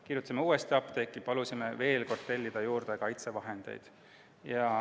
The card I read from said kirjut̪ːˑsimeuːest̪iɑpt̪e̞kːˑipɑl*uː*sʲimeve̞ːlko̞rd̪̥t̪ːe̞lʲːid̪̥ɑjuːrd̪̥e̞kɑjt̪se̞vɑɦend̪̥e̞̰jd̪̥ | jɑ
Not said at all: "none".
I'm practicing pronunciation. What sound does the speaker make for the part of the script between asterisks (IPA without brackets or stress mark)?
u